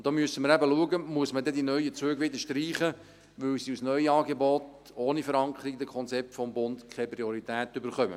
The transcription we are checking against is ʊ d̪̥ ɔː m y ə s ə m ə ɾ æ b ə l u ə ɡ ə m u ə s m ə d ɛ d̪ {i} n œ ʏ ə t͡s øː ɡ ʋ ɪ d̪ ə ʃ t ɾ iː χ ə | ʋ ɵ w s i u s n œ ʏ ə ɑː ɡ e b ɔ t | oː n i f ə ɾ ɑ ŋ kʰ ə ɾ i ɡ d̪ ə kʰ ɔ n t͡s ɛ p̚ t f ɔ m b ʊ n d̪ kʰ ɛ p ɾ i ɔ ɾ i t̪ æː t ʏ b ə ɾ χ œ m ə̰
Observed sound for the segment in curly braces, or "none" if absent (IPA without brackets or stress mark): i